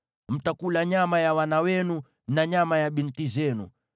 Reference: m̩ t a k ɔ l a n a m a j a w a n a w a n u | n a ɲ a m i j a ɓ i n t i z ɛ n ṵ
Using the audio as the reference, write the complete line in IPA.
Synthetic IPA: m̩ t a k u l a ɲ a m a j a w a n a w ɛ n u | n a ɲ a m a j a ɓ i n t i z ɛ n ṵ